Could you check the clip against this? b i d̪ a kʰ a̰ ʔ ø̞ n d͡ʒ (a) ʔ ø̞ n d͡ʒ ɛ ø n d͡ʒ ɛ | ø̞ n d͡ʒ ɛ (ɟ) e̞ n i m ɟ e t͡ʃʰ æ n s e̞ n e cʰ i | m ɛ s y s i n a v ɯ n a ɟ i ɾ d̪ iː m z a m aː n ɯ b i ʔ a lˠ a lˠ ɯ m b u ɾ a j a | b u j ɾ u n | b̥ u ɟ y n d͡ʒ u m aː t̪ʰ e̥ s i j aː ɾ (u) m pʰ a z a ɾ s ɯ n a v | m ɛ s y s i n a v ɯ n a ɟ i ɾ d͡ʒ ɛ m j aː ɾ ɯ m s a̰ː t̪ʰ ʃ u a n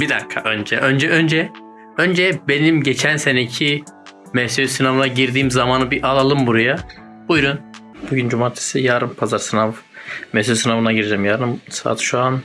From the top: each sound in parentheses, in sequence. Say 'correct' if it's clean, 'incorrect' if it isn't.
incorrect, incorrect, incorrect

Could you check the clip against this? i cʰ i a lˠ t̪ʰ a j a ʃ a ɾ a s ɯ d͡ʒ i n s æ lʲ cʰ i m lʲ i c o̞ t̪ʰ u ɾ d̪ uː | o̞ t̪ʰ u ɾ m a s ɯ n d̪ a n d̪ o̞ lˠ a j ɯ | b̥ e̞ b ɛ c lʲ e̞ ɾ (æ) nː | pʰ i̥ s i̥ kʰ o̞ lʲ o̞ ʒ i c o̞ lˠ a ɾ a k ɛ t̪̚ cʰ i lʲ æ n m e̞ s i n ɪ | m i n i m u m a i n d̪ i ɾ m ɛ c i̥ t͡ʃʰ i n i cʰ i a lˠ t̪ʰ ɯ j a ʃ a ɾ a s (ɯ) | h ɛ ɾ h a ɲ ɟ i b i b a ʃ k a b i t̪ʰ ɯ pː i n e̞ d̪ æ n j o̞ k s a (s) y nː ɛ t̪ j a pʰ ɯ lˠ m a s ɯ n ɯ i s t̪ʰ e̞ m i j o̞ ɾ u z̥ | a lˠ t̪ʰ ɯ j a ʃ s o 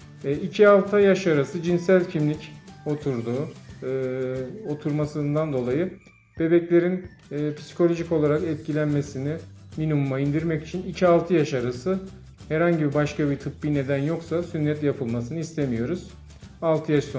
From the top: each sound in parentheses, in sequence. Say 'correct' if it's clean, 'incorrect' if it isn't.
incorrect, correct, correct

